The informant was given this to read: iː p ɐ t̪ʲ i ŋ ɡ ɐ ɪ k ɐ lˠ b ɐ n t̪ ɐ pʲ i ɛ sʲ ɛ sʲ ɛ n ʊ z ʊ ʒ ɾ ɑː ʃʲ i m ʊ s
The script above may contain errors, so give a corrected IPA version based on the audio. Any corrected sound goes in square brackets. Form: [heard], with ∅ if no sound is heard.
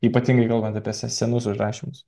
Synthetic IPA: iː p ɐ t̪ʲ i ŋ ɡ ɐ ɪ k ɐ lˠ b ɐ n t̪ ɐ pʲ i ɛ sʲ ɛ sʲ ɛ n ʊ [s] ʊ ʒ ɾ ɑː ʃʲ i m ʊ s

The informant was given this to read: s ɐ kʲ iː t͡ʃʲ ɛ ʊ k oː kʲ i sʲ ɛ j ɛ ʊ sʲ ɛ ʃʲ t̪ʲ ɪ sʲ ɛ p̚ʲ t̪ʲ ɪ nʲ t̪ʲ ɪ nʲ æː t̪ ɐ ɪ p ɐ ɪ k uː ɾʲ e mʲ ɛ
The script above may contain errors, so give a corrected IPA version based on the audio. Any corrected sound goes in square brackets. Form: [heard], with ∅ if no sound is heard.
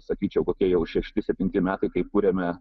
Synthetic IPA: s ɐ kʲ iː t͡ʃʲ ɛ ʊ k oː kʲ i [∅] ɛ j ɛ ʊ [ʃʲ] ɛ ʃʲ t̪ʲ ɪ sʲ ɛ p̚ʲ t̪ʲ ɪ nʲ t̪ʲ ɪ [mʲ] æː t̪ ɐ ɪ [k] ɐ ɪ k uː ɾʲ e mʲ ɛ

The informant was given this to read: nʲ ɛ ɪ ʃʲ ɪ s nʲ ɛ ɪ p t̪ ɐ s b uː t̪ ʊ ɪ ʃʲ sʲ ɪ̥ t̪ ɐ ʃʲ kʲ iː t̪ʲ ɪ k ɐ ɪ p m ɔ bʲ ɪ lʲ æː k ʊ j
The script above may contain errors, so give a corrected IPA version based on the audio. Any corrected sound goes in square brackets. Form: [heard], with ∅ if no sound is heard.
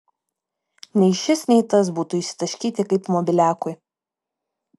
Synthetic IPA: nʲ ɛ ɪ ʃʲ ɪ s nʲ ɛ ɪ [∅] t̪ ɐ s b uː t̪ ʊ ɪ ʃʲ sʲ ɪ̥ t̪ ɐ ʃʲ kʲ iː t̪ʲ ɪ k ɐ ɪ p m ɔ bʲ ɪ lʲ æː k ʊ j

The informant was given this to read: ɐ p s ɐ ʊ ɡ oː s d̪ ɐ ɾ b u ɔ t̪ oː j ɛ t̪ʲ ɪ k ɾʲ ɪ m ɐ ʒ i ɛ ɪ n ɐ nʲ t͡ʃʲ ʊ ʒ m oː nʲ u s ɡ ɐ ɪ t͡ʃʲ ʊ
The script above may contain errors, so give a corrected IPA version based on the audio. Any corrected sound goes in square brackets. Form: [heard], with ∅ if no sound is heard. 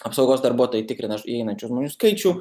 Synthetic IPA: ɐ p s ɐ ʊ ɡ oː s d̪ ɐ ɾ b u ɔ t̪ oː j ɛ t̪ʲ ɪ k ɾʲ ɪ [n] ɐ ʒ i ɛ ɪ n ɐ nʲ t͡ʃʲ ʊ ʒ m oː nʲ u s [k] ɐ ɪ t͡ʃʲ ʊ

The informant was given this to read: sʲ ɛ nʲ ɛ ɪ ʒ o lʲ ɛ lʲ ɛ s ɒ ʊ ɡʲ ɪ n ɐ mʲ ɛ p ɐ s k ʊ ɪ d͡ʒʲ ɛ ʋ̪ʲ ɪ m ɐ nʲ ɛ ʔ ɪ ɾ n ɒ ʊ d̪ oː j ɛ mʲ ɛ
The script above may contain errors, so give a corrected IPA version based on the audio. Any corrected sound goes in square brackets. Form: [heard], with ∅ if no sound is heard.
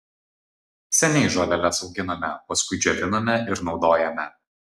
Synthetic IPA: sʲ ɛ nʲ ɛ ɪ ʒ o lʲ ɛ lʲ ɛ s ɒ ʊ ɡʲ ɪ n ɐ mʲ ɛ p ɐ s k ʊ ɪ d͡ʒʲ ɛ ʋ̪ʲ ɪ [n] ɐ [mʲ] ɛ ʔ ɪ ɾ n ɒ ʊ d̪ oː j ɛ mʲ ɛ

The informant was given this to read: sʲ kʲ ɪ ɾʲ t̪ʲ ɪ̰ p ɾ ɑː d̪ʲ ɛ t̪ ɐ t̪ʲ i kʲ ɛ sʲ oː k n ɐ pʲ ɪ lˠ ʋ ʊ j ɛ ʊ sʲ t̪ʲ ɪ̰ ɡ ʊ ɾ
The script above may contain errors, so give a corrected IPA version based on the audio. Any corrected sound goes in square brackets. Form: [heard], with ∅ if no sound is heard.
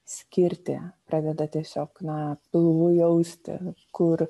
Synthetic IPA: sʲ kʲ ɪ ɾʲ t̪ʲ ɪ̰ p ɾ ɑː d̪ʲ ɛ [d̪] ɐ t̪ʲ i [∅] ɛ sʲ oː k n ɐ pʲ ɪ lˠ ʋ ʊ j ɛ ʊ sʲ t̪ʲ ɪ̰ [k] ʊ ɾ

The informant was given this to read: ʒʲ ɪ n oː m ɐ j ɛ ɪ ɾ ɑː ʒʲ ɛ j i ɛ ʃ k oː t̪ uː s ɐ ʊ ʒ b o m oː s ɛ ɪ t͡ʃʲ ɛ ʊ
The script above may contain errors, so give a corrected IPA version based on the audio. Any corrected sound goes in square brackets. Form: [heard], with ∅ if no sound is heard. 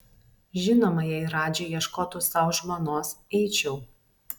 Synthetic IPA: ʒʲ ɪ n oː m ɐ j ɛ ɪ ɾ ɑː [d͡ʒʲ] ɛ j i ɛ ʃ k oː t̪ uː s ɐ ʊ ʒ [m] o [n] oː s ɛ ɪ t͡ʃʲ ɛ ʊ

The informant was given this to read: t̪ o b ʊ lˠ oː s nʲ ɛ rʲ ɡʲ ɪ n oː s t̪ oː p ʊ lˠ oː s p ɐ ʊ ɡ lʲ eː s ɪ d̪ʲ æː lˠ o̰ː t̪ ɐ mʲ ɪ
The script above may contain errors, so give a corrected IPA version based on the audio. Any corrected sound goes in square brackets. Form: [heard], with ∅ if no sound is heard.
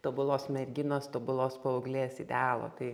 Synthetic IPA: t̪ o b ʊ lˠ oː s [mʲ] ɛ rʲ ɡʲ ɪ n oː s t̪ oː [b] ʊ lˠ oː s p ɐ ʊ ɡ lʲ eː s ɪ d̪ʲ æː lˠ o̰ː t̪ ɐ [∅] ɪ

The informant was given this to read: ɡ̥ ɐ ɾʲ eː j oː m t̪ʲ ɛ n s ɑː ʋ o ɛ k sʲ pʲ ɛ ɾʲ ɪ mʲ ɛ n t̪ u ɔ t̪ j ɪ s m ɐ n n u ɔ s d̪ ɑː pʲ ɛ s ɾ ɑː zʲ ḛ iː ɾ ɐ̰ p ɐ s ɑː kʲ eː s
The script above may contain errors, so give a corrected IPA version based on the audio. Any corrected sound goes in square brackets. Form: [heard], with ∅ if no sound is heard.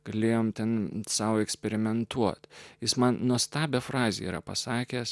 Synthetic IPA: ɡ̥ ɐ [lʲ] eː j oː m t̪ʲ ɛ n s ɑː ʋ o ɛ k sʲ pʲ ɛ ɾʲ ɪ mʲ ɛ n t̪ u ɔ t̪ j ɪ s m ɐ n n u ɔ s [t̪] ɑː [bʲ] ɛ [f] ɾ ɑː zʲ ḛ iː ɾ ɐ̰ p ɐ s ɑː kʲ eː s

